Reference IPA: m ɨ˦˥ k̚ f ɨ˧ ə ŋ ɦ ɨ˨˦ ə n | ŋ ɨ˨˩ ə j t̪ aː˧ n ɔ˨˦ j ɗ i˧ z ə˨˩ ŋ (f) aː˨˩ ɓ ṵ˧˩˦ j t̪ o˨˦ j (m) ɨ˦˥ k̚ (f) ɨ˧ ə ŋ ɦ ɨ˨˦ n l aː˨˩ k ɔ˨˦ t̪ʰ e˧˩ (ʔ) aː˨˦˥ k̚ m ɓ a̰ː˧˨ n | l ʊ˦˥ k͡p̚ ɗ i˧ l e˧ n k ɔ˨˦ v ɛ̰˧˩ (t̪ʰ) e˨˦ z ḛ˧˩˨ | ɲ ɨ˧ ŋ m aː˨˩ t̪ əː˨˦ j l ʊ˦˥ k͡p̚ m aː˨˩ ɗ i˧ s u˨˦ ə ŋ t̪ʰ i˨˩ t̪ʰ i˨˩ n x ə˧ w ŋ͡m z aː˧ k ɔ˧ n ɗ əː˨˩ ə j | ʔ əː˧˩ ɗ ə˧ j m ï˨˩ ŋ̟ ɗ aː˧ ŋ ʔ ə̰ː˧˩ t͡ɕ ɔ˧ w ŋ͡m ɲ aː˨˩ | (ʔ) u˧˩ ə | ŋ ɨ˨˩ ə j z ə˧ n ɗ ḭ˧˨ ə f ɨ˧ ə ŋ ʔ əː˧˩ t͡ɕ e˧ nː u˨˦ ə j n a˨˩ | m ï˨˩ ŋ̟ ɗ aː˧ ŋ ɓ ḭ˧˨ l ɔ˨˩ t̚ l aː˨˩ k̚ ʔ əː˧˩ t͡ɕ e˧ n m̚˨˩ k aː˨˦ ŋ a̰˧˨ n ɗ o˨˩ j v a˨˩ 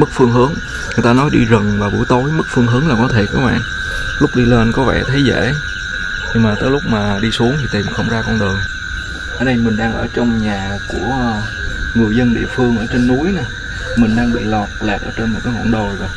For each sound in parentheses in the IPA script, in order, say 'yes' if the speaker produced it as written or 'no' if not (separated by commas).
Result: no, yes, yes, no, yes, no